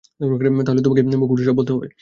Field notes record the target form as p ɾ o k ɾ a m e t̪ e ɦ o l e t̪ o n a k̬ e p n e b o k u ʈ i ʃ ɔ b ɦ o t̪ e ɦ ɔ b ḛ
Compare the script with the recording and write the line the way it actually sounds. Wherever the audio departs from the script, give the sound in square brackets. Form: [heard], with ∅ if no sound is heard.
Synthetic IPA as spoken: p ɾ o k ɾ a m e t̪ [a] ɦ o l e t̪ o [m] a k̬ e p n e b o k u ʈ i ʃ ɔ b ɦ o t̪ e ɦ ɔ b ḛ